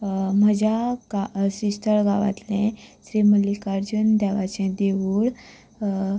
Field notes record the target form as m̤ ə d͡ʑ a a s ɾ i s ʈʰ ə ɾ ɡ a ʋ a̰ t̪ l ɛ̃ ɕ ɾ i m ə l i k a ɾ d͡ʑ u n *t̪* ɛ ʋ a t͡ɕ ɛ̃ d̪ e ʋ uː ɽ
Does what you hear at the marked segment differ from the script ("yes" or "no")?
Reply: yes